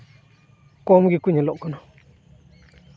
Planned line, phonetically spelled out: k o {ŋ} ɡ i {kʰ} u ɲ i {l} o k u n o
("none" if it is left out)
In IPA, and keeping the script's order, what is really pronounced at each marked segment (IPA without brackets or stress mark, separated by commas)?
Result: m, k, l